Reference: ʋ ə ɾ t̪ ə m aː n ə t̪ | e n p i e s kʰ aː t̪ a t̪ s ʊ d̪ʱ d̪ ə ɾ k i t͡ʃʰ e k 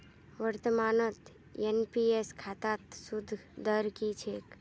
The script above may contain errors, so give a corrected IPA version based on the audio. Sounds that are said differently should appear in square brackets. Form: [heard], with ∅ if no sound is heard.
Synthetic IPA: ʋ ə ɾ t̪ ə m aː n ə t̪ | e n p i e s kʰ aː t̪ a t̪ s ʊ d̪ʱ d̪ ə ɾ k i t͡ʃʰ e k